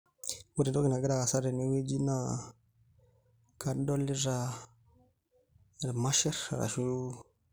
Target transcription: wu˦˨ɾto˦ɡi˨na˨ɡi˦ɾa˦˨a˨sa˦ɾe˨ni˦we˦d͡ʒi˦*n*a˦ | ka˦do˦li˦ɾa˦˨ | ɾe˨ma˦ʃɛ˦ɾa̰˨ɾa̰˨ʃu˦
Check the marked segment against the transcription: correct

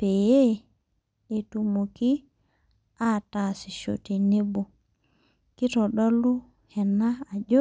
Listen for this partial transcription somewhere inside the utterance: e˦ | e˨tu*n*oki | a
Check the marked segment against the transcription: incorrect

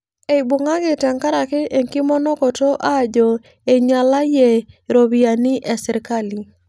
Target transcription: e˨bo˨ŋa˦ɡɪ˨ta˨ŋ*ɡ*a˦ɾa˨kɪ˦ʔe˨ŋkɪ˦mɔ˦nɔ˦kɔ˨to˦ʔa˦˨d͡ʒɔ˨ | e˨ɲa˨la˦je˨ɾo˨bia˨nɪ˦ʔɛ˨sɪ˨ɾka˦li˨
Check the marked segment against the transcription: incorrect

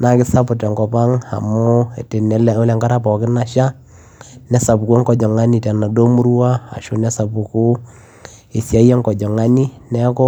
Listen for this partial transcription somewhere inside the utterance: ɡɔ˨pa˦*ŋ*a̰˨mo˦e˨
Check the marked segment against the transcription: correct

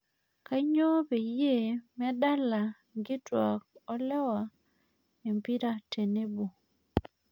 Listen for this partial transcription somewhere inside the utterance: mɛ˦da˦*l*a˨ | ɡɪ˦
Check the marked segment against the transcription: correct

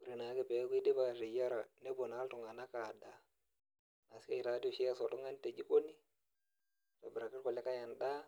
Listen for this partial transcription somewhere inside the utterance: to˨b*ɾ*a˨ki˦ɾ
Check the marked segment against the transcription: correct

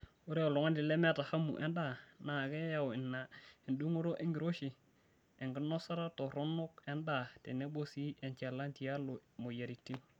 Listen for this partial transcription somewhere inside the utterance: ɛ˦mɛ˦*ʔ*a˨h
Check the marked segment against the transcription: incorrect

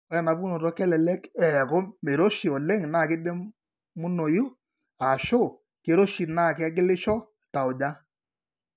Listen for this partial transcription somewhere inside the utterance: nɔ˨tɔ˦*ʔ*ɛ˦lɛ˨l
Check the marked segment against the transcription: incorrect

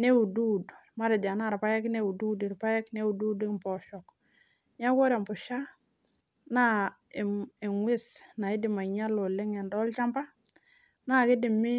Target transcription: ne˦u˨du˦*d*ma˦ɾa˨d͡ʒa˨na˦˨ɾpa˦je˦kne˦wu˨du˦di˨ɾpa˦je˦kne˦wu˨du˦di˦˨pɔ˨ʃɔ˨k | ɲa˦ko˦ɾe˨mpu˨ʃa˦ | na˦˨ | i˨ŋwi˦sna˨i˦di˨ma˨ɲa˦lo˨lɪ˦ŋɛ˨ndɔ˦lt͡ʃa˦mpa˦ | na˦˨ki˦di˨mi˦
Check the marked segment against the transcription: correct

